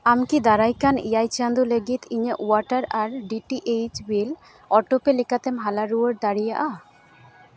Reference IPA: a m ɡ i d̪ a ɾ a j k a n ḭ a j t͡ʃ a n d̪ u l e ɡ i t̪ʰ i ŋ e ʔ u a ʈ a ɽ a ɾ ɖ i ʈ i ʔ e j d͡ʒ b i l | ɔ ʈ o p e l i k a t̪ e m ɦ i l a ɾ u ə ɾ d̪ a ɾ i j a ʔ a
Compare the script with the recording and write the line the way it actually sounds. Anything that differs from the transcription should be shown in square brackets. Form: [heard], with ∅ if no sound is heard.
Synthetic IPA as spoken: a m [k] i d̪ a ɾ a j k a n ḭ a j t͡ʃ a n d̪ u l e ɡ i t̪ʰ i [ɲ] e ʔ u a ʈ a [ɾ] a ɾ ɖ i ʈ i ʔ e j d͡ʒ b i l | ɔ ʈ o p e l i k a t̪ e m ɦ [a] l a ɾ u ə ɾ d̪ a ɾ i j a ʔ a